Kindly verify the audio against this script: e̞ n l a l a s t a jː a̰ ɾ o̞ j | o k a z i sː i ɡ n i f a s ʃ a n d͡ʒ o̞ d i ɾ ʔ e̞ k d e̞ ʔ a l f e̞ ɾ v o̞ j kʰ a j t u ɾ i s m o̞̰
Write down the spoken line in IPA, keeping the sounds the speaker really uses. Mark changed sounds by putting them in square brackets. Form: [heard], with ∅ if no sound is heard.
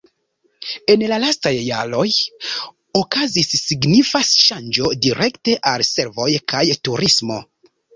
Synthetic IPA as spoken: e̞ n l a l a s t a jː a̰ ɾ o̞ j | o k a z i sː i ɡ n i f a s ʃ a n d͡ʒ o̞ d i ɾ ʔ e̞ k [t] e̞ ʔ a l [s] e̞ ɾ v o̞ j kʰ a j t u ɾ i s m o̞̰